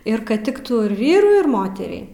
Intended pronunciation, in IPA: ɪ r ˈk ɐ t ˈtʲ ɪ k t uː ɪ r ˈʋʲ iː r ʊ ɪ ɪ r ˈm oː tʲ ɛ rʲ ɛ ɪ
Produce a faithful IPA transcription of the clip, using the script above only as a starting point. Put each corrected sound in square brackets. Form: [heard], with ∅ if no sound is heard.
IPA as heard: ɪ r ˈk ɐ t ˈtʲ ɪ k t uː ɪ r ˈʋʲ iː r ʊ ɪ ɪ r ˈm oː tʲ ɛ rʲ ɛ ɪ